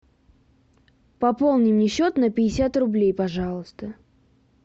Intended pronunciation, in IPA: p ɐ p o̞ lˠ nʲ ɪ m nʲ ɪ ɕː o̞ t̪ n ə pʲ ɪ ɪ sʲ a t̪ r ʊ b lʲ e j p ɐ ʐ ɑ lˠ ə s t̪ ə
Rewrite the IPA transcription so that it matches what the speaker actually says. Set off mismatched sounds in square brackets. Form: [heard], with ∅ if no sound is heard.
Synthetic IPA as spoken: p ɐ p o̞ lˠ nʲ ɪ m nʲ ɪ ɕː o̞ t̪ n ə pʲ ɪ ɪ sʲ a t̪ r ʊ b lʲ e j p ɐ ʐ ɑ lˠ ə s t̪ ə